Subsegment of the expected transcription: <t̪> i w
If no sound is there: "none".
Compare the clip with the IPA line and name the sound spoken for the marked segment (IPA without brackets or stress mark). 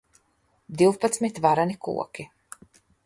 d̪